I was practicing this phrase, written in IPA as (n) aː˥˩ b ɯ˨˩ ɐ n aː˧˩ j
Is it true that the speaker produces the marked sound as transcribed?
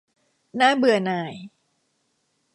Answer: yes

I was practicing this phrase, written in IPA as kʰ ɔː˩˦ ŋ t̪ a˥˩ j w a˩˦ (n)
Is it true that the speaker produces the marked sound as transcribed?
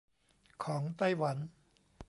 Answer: yes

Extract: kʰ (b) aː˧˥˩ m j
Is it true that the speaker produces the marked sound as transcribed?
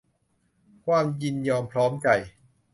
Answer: no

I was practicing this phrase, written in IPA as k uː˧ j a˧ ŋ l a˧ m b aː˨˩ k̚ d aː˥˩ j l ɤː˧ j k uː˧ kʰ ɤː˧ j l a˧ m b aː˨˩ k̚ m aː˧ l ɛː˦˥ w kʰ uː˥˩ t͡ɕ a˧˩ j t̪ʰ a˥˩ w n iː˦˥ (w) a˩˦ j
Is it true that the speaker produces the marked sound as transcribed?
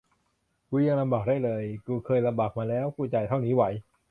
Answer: yes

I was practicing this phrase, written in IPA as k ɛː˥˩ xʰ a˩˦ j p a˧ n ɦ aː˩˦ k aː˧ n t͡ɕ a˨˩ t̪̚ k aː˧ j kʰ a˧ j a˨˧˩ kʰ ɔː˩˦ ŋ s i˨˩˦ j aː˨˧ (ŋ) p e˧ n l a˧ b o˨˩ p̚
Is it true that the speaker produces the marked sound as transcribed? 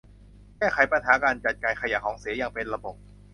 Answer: yes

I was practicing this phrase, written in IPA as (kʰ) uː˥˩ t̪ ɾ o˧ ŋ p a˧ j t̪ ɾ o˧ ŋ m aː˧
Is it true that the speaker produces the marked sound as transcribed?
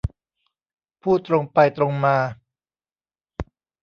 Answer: no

